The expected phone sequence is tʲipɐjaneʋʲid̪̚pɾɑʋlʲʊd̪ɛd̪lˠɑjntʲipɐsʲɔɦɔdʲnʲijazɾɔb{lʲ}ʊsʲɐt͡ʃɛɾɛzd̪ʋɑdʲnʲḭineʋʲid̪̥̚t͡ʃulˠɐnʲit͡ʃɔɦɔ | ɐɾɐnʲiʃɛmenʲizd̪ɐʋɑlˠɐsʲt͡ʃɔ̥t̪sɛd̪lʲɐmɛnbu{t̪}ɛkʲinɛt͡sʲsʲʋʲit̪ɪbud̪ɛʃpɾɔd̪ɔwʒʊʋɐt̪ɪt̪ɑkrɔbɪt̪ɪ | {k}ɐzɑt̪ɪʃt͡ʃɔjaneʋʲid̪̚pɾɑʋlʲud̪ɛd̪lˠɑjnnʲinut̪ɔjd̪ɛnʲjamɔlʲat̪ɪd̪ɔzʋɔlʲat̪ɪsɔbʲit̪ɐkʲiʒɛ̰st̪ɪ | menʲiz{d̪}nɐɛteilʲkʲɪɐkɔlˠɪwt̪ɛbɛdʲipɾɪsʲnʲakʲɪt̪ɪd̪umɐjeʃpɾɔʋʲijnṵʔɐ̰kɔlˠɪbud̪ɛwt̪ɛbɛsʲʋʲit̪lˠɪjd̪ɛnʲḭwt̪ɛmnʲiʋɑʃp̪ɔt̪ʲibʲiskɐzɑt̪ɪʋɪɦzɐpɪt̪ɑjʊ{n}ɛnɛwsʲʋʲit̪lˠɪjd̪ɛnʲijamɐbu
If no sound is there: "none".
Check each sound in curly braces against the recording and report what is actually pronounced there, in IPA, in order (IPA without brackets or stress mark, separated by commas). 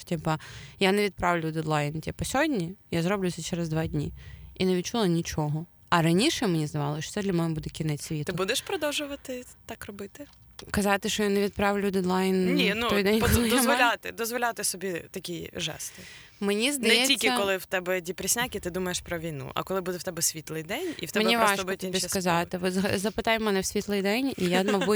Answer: lʲ, d̪, k, d̪, m